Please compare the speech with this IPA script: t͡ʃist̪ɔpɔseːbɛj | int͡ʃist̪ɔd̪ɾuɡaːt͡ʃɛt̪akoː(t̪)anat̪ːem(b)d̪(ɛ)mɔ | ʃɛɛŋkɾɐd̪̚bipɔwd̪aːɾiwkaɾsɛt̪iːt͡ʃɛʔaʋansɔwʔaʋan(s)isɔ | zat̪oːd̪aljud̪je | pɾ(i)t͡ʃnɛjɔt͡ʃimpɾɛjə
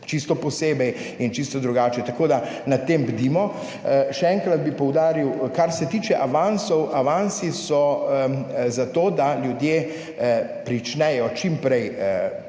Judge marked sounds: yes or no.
no, yes, no, yes, yes

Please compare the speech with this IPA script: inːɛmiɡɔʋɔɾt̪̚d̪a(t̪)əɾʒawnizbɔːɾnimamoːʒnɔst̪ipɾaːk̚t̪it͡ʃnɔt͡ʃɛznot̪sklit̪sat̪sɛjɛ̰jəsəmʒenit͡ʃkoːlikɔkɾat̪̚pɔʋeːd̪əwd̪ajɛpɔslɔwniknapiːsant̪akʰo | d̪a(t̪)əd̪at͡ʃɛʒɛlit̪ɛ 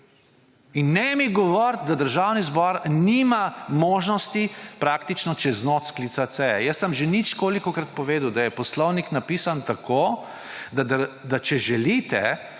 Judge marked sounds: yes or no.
no, no

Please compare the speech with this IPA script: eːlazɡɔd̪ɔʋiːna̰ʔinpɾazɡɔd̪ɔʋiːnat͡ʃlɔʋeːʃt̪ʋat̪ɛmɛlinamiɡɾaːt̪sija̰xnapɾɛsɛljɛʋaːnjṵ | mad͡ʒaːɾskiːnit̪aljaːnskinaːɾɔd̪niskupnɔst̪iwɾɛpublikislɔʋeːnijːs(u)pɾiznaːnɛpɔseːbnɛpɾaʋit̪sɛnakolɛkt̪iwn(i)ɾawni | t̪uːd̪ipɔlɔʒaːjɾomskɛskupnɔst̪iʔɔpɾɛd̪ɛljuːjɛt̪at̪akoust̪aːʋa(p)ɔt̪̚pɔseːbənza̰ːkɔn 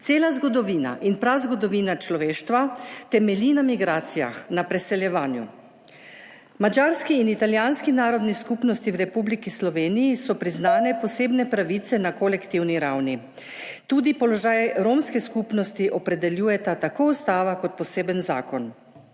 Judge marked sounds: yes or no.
no, yes, no

